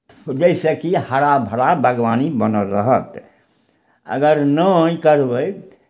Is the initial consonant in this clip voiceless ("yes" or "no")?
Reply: no